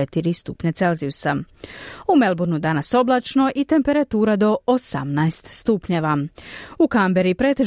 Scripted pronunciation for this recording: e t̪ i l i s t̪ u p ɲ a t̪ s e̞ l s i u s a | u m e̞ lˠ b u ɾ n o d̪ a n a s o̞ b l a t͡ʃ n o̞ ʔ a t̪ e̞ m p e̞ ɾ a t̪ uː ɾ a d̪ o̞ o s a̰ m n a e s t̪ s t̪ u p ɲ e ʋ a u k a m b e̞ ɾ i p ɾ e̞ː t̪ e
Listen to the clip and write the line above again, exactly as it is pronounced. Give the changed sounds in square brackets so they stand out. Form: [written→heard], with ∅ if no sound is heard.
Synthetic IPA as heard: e t̪ i [l→ɾ] i s t̪ u p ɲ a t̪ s e̞ l [s→z] i u s a | u m e̞ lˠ b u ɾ n [o→u] d̪ a n a s o̞ b l a t͡ʃ n o̞ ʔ [a→i] t̪ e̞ m p e̞ ɾ a t̪ uː ɾ a d̪ o̞ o s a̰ m n a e s t̪ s t̪ u p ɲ e ʋ a u k a m b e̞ ɾ i p ɾ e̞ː t̪ e